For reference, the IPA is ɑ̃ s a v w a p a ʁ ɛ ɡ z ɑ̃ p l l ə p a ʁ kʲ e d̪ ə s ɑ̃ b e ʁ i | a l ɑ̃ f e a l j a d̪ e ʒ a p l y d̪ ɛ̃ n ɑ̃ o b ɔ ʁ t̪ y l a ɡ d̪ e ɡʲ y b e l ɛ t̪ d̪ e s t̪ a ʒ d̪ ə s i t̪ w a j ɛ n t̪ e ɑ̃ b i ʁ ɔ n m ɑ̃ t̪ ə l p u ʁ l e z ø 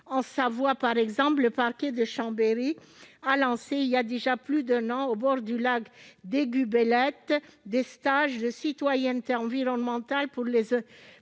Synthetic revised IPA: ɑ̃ s a v w a p a ʁ ɛ ɡ z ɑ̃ p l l ə p a ʁ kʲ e d̪ ə ʃ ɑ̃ b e ʁ i | a l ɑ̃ s e i l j a d̪ e ʒ a p l y d̪ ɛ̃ n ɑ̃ o b ɔ ʁ d̪ y l a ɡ d̪ e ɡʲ y b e l ɛ t̪ d̪ e s t̪ a ʒ d̪ ə s i t̪ w a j ɛ n t̪ e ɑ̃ v i ʁ ɔ n m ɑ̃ t̪ a l p u ʁ l e z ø